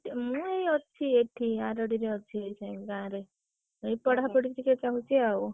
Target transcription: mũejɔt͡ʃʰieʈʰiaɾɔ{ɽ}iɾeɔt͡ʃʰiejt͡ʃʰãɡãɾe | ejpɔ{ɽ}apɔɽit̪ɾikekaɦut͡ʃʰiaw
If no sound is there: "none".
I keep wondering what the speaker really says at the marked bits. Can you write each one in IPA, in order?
ɽ, ɽ

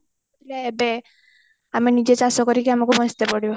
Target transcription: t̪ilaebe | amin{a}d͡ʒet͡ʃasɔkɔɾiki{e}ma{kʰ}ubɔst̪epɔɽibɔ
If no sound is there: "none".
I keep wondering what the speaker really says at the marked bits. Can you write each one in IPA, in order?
i, a, k

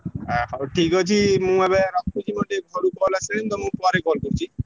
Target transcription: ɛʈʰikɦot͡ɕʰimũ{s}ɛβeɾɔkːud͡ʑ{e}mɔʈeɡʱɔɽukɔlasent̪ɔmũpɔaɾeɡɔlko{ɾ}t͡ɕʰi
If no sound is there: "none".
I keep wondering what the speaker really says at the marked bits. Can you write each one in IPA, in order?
none, i, ɾ

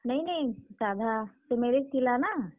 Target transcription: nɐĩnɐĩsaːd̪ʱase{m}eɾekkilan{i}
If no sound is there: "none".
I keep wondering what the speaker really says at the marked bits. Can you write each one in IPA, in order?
m, a

